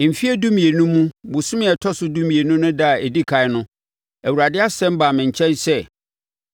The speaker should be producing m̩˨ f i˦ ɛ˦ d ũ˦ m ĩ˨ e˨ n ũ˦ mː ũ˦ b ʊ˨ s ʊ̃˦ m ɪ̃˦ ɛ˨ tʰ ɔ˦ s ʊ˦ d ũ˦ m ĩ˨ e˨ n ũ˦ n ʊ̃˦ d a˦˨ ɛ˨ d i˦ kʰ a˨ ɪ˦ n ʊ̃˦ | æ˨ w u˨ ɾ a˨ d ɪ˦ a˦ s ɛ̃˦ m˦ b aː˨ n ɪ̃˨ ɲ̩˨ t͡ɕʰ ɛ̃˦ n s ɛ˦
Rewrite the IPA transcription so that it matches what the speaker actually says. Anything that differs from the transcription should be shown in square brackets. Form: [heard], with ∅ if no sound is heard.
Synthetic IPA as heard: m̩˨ f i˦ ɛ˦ d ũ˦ m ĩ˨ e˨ n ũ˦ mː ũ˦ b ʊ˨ s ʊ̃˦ m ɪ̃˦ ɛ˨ tʰ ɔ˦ s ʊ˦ d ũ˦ m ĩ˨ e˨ n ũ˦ n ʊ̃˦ d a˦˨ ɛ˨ d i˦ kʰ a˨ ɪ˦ n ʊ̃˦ | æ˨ w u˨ ɾ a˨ d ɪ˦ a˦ s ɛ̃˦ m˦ b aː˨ [m] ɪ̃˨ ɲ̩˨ t͡ɕʰ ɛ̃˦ n s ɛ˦